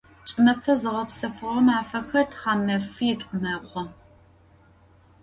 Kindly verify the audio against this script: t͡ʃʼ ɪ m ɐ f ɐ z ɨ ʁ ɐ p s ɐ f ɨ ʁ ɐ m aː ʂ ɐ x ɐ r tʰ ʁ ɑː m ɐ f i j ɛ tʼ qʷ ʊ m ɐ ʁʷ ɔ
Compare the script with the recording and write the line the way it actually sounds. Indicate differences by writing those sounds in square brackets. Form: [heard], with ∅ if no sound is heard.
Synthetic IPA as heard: t͡ʃʼ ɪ m ɐ f ɐ z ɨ ʁ ɐ p s ɐ f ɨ ʁ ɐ m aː [f] ɐ x ɐ r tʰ [χ] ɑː m ɐ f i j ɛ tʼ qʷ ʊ m ɐ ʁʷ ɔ